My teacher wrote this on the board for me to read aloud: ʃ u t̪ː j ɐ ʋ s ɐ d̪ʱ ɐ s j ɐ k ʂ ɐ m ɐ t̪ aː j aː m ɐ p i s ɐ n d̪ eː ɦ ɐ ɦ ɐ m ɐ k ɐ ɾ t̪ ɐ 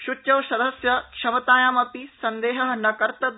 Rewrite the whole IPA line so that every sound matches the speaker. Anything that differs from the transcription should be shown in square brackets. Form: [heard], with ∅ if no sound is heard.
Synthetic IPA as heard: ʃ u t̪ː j ɐ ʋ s ɐ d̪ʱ ɐ s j ɐ k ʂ ɐ m ɐ t̪ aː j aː m ɐ p i s ɐ n d̪ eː ɦ ɐ ɦ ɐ [n] ɐ k ɐ ɾ t̪ ɐ